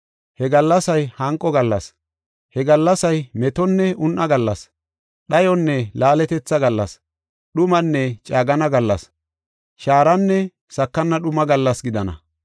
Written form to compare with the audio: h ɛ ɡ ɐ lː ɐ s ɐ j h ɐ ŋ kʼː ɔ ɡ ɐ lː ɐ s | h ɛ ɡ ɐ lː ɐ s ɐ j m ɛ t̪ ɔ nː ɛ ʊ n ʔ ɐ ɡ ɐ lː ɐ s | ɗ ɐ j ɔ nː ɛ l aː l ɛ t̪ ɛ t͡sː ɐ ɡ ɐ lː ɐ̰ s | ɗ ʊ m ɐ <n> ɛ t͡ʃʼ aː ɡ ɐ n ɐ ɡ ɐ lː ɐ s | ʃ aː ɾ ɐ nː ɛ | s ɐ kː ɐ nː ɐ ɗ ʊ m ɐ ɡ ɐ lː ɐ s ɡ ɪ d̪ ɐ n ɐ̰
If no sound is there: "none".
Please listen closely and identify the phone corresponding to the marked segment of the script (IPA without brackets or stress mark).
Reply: nː